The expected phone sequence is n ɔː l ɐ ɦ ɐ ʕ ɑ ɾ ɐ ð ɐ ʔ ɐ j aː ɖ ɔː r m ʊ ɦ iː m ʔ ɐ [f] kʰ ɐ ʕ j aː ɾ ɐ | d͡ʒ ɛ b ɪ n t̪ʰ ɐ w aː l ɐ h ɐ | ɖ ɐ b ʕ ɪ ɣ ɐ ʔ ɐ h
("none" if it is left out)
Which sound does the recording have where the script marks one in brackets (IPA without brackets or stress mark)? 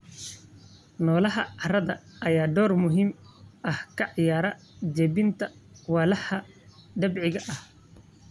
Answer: h